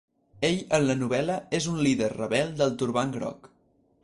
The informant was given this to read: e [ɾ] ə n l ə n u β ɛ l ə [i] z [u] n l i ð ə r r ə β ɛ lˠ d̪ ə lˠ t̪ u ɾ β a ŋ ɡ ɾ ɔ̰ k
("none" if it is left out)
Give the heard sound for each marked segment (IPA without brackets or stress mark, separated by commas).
ʎ, e, u